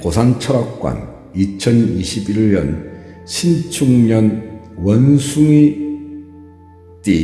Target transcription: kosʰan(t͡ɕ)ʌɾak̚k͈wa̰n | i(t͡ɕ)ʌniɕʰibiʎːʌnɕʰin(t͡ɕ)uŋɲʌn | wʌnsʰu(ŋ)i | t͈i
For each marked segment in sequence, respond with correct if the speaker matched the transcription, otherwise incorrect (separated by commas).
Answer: incorrect, incorrect, incorrect, correct